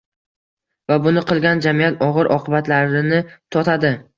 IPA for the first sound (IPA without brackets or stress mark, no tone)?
v